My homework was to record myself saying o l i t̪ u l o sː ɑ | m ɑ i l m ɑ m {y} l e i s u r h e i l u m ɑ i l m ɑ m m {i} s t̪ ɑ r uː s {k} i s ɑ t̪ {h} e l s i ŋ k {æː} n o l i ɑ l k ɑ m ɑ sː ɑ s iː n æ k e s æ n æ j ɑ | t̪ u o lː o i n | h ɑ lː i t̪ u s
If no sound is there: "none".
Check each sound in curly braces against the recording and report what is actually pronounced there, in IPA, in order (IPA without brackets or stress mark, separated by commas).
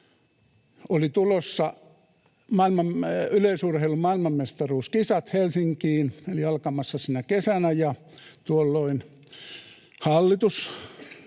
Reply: y, e, k, h, iː